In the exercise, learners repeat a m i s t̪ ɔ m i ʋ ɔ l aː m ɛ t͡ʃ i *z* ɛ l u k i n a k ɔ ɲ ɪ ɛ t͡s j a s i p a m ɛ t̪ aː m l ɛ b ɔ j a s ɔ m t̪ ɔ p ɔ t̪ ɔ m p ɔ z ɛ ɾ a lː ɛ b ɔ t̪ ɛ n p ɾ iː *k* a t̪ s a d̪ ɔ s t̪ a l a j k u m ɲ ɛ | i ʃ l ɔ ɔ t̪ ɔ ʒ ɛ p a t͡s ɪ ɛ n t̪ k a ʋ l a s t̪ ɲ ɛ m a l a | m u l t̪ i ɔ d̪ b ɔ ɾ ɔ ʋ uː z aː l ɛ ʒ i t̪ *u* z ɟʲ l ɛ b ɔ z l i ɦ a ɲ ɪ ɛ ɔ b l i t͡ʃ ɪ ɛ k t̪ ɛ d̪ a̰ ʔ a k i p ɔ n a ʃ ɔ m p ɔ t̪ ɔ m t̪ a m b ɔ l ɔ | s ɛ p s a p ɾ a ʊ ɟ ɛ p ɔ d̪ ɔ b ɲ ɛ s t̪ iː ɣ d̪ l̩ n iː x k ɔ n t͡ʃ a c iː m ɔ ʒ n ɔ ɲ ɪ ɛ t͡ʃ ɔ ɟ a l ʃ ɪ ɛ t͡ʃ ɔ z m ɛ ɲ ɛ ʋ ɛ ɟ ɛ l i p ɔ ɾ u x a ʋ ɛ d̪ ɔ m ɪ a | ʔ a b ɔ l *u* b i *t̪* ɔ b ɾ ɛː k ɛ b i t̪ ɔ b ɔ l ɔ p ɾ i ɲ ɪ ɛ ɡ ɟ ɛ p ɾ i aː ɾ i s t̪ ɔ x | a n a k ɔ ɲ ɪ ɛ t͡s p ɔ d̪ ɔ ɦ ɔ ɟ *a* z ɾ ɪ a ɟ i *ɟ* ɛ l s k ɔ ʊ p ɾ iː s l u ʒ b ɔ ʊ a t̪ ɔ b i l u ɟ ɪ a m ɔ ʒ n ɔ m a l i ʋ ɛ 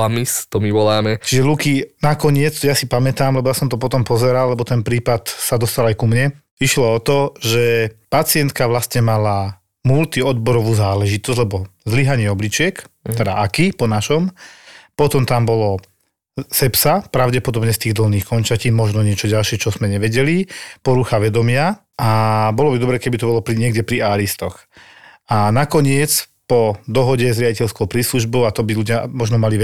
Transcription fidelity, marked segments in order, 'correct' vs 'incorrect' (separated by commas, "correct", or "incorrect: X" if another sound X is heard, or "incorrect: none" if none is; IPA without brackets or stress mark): incorrect: ʒ, incorrect: p, incorrect: ɔ, incorrect: ɔ, incorrect: d̪, incorrect: ɛ, incorrect: c